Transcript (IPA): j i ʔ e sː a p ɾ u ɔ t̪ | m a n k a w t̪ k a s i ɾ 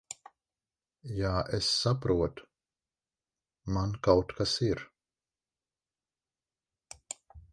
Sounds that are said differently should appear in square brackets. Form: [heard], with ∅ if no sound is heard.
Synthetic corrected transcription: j [a] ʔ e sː a p ɾ u ɔ t̪ | m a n k a w t̪ k a s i ɾ